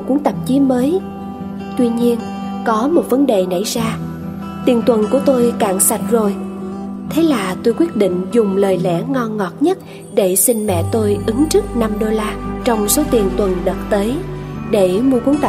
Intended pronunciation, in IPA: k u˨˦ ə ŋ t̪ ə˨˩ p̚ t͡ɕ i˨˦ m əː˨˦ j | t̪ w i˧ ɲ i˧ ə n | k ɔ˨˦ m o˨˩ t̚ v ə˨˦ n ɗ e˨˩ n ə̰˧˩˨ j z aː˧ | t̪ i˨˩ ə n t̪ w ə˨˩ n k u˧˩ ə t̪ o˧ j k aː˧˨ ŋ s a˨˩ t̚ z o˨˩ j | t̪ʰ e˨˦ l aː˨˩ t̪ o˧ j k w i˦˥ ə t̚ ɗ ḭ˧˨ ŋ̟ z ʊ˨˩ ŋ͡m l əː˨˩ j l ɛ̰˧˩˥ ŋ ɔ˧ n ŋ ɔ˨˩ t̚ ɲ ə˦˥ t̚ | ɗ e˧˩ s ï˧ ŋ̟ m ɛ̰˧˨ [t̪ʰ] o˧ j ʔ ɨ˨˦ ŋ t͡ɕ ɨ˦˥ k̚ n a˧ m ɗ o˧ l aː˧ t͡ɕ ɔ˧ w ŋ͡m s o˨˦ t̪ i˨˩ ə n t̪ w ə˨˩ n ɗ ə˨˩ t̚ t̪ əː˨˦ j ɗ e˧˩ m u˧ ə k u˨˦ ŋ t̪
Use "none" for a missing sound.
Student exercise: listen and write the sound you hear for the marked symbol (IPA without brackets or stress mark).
t̪